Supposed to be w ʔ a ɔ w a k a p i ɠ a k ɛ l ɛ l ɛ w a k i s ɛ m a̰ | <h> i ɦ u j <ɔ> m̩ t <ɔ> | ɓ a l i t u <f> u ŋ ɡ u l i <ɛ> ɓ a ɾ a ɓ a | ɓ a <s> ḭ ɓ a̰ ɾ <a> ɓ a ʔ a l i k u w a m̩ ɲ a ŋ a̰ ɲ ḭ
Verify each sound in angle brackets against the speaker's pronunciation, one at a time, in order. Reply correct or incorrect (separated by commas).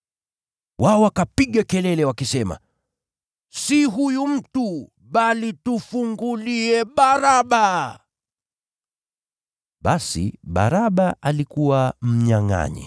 incorrect, incorrect, incorrect, correct, correct, correct, correct